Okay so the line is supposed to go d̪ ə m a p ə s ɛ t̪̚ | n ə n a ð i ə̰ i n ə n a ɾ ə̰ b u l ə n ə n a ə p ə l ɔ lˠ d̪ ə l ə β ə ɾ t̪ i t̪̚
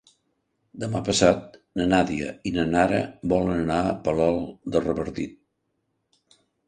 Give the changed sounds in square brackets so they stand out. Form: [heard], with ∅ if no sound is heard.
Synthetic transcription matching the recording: d̪ ə m a p ə s [a] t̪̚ | n ə n a ð i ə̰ i n ə n a ɾ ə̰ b [ɔ] l ə n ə n a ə p ə l ɔ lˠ d̪ ə [r] ə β ə ɾ t̪ i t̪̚